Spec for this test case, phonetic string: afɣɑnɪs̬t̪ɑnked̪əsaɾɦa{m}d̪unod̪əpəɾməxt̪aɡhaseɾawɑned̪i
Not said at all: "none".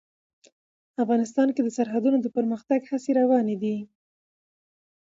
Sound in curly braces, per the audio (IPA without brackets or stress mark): none